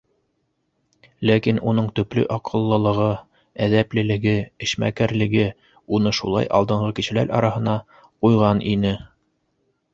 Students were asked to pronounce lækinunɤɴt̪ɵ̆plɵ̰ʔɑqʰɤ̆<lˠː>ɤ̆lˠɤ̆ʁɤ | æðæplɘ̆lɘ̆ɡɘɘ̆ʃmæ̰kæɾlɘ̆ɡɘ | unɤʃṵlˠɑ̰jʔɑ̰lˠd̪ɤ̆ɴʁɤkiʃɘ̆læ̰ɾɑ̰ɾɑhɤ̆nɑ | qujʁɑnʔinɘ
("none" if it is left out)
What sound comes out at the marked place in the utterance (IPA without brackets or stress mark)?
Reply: lˠː